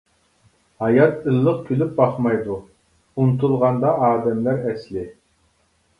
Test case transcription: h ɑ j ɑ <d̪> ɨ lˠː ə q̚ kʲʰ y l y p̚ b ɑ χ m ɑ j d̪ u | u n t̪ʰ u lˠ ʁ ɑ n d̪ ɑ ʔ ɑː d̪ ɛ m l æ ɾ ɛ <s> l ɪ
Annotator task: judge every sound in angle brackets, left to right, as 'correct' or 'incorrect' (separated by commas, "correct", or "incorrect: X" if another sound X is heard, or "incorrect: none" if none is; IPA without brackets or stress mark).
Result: incorrect: t̪, correct